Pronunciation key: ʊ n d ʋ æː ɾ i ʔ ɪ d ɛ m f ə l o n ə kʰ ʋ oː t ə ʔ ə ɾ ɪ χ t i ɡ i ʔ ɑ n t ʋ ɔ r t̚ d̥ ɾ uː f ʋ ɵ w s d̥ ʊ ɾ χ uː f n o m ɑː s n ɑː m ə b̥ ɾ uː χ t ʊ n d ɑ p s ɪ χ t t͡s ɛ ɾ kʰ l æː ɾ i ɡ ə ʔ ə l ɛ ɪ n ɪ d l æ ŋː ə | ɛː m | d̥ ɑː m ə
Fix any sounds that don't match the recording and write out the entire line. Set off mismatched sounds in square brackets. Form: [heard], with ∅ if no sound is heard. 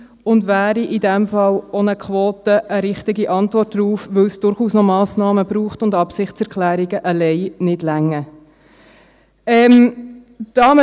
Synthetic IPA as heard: ʊ n d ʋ æː ɾ i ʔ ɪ d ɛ m f [ɑ] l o n ə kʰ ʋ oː t ə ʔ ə ɾ ɪ χ t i ɡ i ʔ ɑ n t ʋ ɔ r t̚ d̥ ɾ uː f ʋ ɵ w s d̥ ʊ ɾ χ uː [s] n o m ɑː s n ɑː m ə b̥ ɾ uː χ t ʊ n d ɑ p s ɪ χ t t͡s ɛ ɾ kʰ l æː ɾ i ɡ ə ʔ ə l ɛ ɪ n ɪ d l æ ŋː ə | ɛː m | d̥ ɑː m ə

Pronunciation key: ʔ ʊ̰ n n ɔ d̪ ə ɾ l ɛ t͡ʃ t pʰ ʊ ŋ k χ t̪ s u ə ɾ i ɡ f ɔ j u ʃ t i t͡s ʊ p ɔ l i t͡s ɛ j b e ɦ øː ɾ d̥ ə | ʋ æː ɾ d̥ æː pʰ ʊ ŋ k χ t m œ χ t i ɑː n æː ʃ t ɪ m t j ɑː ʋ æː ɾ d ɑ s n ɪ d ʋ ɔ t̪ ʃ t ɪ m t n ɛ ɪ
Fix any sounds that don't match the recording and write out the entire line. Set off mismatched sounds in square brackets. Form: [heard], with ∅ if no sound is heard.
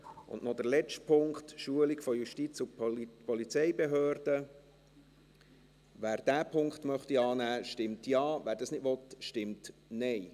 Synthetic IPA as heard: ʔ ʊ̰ n n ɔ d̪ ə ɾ l ɛ t͡ʃ t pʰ ʊ ŋ k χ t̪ [ʃ] u ə [l] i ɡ f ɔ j u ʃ t i t͡s ʊ p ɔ l i t͡s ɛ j b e ɦ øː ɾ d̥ ə | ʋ æː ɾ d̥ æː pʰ ʊ ŋ k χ t m œ χ t i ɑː n æː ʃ t ɪ m t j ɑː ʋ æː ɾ d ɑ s n ɪ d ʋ ɔ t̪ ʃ t ɪ m t n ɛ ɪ

